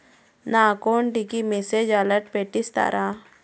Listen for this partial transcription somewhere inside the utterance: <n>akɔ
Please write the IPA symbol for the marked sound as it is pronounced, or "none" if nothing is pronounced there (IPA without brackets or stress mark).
n